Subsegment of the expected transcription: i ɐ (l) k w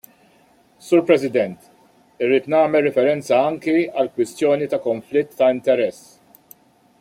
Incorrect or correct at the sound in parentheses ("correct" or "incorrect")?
correct